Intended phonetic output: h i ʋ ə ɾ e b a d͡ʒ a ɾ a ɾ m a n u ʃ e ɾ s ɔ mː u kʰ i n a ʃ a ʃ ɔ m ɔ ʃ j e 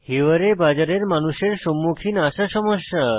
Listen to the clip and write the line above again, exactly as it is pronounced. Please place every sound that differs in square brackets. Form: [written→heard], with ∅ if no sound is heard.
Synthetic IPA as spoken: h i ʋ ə ɾ e b a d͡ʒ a ɾ [a→e] ɾ m a n u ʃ e ɾ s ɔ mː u kʰ i n a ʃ a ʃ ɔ m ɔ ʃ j [e→a]